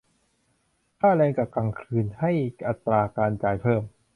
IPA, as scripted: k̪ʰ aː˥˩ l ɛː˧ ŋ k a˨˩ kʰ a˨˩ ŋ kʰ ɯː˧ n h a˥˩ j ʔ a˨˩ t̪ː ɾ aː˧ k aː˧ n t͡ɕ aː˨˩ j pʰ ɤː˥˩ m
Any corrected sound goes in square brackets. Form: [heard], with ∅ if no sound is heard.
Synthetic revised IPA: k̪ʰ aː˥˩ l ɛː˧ ŋ k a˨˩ [k] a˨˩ ŋ kʰ ɯː˧ n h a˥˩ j ʔ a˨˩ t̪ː ɾ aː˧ k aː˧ n t͡ɕ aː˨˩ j pʰ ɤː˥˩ m